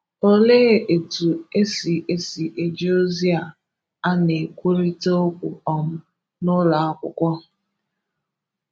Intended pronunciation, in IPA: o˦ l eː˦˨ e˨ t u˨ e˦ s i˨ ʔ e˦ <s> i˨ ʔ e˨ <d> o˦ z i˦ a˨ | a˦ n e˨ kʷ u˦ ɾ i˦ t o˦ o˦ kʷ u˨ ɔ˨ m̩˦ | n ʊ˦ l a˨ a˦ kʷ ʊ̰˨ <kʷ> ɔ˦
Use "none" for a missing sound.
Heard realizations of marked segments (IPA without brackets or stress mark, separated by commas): s, d͡ʒ, kʷ